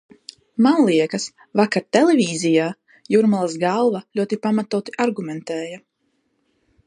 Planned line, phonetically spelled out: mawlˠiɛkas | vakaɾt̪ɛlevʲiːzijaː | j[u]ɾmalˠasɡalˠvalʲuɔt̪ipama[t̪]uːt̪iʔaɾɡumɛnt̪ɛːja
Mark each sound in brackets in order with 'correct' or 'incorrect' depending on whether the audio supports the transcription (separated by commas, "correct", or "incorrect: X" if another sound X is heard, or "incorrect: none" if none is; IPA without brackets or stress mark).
correct, correct